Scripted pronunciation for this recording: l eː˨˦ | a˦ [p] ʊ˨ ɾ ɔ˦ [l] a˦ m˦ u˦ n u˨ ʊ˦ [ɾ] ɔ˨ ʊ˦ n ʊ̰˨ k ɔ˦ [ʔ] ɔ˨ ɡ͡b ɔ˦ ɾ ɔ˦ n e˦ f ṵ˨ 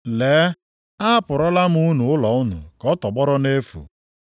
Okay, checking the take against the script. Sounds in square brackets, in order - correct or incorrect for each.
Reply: correct, correct, incorrect, incorrect

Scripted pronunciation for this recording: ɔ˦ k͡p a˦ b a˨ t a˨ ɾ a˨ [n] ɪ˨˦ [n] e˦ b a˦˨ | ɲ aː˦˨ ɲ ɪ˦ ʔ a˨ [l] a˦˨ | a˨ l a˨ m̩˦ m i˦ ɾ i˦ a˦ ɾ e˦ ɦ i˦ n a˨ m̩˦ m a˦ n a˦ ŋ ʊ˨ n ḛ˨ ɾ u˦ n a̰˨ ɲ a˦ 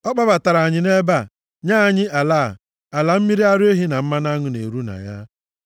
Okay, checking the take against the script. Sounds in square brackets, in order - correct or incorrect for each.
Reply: incorrect, correct, correct

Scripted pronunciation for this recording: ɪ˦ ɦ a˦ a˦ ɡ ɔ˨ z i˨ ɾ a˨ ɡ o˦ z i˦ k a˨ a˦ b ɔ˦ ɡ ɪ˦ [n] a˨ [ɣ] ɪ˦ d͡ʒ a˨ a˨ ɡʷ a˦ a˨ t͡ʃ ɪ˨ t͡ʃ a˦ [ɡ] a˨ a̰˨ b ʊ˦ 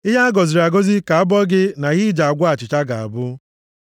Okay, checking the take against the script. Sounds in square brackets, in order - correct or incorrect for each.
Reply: correct, correct, correct

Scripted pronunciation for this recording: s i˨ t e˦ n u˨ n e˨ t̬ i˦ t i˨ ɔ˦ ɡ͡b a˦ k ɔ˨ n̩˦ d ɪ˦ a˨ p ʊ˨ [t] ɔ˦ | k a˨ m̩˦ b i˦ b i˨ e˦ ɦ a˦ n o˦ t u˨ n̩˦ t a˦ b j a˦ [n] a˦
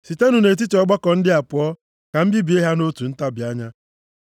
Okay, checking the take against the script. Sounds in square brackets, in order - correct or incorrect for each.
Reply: incorrect, incorrect

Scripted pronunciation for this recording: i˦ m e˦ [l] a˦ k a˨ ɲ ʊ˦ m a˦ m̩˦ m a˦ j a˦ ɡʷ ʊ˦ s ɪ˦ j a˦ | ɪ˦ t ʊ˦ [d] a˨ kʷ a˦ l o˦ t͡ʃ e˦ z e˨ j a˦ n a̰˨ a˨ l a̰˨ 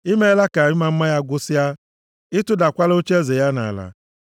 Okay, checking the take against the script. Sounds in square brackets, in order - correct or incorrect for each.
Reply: correct, correct

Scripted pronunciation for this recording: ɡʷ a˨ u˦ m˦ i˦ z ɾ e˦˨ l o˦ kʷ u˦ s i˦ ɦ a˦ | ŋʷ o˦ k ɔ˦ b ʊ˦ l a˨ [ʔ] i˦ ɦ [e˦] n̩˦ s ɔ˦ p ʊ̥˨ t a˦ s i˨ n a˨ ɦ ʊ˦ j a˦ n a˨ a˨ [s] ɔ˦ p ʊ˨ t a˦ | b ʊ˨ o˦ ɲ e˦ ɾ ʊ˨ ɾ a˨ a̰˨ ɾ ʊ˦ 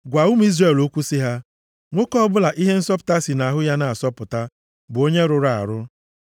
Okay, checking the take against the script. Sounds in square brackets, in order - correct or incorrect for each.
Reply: correct, correct, correct

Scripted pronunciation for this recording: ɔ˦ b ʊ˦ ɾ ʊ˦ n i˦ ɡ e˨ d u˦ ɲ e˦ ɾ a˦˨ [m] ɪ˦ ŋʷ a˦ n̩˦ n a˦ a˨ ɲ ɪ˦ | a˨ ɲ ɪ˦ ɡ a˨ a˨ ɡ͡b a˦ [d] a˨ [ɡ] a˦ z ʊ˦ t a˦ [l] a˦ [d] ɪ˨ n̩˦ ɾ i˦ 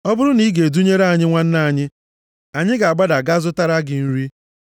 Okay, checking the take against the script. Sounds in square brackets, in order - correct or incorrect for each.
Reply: incorrect, correct, correct, incorrect, incorrect

